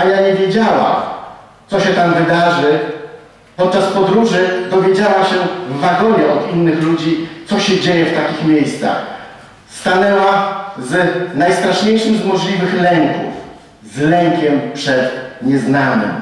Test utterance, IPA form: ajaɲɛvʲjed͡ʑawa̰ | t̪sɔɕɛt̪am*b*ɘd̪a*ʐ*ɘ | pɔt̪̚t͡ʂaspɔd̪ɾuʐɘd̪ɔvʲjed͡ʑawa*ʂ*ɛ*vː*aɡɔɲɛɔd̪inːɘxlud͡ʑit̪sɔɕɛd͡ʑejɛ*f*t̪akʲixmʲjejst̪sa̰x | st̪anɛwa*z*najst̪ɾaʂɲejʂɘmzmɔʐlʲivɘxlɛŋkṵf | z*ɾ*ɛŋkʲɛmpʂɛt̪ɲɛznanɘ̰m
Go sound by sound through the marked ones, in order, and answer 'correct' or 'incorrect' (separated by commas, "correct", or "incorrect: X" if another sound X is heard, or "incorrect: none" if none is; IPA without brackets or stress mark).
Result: incorrect: v, correct, incorrect: ɕ, correct, correct, correct, incorrect: l